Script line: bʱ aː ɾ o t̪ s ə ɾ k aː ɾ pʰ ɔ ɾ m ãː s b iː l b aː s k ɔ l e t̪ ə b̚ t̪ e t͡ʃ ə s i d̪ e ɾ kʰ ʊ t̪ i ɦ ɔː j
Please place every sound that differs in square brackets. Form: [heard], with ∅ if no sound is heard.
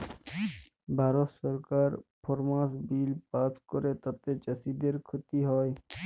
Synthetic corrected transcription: bʱ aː ɾ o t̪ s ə ɾ k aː ɾ pʰ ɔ ɾ m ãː s b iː l [p] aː s k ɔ [ɾ] e t̪ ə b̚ t̪ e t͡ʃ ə s i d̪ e ɾ kʰ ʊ t̪ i ɦ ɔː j